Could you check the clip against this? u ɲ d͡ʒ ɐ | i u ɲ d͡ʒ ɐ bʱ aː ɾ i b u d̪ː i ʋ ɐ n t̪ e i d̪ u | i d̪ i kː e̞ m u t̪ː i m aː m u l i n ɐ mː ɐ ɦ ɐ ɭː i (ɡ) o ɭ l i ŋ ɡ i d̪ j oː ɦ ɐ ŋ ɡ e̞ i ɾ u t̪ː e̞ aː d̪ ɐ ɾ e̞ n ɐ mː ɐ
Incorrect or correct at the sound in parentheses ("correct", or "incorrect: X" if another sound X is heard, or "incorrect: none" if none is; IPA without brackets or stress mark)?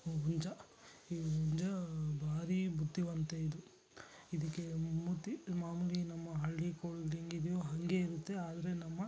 incorrect: k